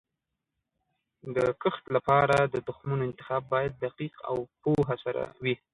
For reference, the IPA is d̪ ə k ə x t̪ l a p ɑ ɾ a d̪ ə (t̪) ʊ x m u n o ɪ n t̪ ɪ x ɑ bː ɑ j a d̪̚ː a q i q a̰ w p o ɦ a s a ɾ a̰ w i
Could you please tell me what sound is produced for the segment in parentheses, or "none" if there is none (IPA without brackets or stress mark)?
d̪